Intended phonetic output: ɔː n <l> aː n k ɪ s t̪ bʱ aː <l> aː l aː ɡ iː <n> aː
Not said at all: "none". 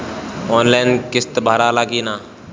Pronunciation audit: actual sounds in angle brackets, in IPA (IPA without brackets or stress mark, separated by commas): l, ɾ, n